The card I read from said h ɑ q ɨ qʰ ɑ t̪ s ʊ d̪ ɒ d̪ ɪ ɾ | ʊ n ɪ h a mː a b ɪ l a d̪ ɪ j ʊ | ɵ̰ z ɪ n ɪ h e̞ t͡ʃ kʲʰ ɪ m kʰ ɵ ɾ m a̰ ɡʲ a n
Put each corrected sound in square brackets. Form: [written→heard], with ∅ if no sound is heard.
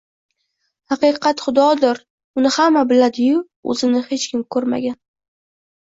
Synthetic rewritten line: h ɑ q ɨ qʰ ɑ t̪ [s→χ] ʊ d̪ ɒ d̪ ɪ ɾ | ʊ n ɪ h a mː a b ɪ l a d̪ ɪ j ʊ | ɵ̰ z ɪ n ɪ h e̞ t͡ʃ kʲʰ ɪ m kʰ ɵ ɾ m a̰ ɡʲ a n